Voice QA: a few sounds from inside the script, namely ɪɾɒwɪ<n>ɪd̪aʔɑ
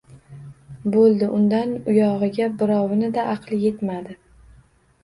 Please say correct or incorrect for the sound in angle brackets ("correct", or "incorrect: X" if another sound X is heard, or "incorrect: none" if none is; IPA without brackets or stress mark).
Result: correct